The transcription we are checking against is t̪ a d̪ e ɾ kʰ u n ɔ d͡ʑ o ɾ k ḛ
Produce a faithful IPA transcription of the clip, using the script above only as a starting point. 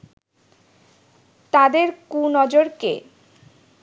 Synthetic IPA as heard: t̪ a d̪ e ɾ k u n ɔ d͡ʑ o ɾ k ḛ